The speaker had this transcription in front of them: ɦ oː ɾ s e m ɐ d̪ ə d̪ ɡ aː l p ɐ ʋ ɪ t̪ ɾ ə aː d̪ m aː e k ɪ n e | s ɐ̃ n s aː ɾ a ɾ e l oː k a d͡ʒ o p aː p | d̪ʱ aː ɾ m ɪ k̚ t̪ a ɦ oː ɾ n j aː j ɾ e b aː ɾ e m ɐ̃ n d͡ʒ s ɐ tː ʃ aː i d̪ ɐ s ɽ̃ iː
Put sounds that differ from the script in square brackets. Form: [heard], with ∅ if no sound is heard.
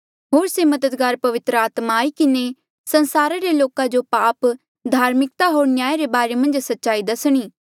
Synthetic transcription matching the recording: ɦ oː ɾ s e m ɐ d̪ ə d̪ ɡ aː [ɾ] p ɐ ʋ ɪ t̪ ɾ ə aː [t̪] m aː [i] k ɪ n e | s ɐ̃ n s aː ɾ a ɾ e l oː k a d͡ʒ o p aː p | d̪ʱ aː ɾ m ɪ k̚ t̪ a ɦ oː ɾ n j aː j ɾ e b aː ɾ e m ɐ̃ n d͡ʒ s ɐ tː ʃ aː i d̪ ɐ s ɽ̃ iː